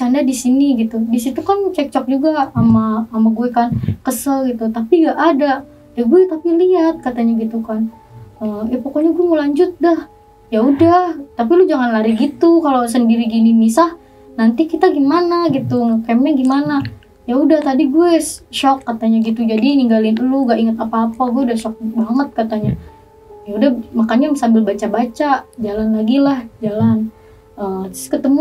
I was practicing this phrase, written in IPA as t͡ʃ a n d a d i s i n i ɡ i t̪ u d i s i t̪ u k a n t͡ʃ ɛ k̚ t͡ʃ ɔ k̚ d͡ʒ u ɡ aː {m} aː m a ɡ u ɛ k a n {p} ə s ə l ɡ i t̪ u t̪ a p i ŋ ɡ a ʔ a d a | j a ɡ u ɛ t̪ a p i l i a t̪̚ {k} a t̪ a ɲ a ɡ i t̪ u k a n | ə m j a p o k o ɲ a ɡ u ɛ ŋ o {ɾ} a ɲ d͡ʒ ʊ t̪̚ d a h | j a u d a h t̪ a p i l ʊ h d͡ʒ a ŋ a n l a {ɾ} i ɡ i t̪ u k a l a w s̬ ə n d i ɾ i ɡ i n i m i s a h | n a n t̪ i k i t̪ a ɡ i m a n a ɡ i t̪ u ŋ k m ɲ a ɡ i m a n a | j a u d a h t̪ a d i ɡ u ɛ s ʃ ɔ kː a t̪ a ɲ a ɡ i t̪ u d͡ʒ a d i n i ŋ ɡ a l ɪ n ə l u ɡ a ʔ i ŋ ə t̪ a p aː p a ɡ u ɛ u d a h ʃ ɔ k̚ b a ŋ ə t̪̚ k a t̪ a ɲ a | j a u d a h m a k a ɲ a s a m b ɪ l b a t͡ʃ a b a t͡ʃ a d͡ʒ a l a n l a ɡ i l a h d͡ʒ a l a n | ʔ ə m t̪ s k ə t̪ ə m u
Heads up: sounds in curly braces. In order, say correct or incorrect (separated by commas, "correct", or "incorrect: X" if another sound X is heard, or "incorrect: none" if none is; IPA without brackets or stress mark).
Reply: correct, incorrect: k, correct, incorrect: l, correct